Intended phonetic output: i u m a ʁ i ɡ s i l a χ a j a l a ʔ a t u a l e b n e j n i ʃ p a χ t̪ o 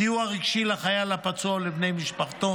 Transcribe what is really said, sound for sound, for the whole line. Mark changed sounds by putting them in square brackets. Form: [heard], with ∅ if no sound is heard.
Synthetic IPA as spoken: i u [∅] a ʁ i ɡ [ʃ] i l a χ a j a l a [p] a [t͡s] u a l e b n e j [m] i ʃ p a χ t̪ o